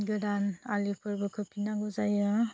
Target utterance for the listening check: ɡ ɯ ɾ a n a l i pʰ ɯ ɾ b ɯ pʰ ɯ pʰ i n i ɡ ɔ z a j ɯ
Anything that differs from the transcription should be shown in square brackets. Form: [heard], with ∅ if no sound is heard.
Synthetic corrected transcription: ɡ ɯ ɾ a n a l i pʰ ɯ ɾ b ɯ [kʰ] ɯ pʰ i n [a] ɡ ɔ z a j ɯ